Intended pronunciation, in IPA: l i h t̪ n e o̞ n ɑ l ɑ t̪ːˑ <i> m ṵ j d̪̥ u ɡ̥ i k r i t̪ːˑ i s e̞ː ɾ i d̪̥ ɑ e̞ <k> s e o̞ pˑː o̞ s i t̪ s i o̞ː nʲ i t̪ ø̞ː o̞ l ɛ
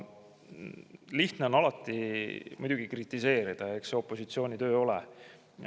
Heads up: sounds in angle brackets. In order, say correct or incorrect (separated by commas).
correct, correct